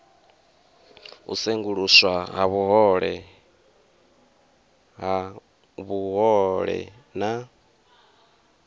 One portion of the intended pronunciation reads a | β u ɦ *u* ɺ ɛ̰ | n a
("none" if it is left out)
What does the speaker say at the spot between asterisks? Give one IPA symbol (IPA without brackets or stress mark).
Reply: ɔ